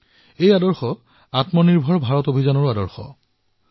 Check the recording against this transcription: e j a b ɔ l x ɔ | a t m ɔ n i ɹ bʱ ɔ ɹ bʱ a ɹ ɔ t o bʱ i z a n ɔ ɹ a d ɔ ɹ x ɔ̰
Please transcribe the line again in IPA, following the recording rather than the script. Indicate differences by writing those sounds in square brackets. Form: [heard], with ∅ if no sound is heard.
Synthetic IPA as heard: e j a [d] ɔ [ɹ] x ɔ | a t m ɔ n i ɹ bʱ ɔ ɹ bʱ a ɹ ɔ t o bʱ i z a n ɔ ɹ a d ɔ ɹ x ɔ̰